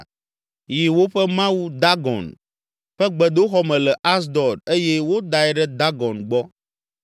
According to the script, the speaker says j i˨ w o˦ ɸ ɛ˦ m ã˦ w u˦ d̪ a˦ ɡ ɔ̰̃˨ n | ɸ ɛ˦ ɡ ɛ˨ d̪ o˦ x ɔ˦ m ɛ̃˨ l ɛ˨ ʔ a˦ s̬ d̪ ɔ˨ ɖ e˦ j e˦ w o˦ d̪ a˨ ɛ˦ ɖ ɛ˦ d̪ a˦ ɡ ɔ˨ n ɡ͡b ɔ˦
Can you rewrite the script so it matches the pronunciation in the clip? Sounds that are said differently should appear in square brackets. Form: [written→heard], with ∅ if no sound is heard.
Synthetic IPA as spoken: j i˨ w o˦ ɸ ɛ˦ m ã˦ w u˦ d̪ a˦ ɡ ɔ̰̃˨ n | ɸ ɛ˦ [ɡ→ɡ͡b] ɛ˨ d̪ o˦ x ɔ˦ m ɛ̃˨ l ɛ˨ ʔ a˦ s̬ d̪ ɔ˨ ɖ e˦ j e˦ w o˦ d̪ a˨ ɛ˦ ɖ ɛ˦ d̪ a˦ ɡ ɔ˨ n ɡ͡b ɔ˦